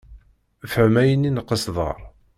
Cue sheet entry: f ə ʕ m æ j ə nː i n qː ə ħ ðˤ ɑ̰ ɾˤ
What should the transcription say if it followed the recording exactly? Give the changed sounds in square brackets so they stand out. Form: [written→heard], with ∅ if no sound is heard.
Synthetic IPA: f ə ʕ m æ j ə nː i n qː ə [ħ→s] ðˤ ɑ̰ ɾˤ